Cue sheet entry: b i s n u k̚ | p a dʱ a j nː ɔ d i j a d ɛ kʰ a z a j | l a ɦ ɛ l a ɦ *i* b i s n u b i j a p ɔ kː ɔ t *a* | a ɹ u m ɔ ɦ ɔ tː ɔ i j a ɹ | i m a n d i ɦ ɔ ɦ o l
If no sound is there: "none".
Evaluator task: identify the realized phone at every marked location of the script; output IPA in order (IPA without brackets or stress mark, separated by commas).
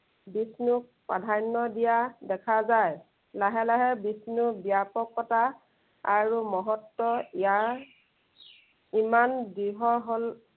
ɛ, a